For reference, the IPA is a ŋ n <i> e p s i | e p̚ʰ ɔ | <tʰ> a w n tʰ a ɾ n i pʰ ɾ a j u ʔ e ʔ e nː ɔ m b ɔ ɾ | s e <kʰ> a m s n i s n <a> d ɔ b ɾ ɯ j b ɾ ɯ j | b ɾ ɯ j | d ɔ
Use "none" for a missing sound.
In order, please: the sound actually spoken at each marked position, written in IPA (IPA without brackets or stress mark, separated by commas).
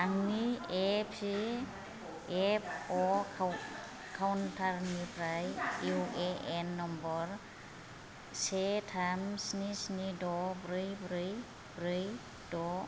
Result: i, kʰ, tʰ, i